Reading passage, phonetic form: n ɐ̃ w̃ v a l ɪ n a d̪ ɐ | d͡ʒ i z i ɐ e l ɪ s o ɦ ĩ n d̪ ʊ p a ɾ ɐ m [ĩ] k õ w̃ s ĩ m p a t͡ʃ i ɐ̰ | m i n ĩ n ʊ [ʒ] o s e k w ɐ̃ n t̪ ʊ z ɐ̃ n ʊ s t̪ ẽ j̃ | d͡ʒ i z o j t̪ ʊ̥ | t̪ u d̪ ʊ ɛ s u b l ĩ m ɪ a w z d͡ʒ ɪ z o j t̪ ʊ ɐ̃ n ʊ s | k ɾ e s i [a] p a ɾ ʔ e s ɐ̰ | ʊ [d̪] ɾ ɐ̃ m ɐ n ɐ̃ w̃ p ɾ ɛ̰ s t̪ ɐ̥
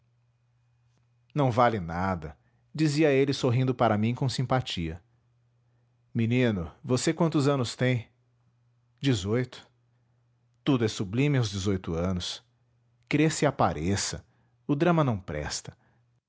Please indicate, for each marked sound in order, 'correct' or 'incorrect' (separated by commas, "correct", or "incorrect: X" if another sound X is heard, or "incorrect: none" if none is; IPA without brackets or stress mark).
correct, incorrect: v, correct, correct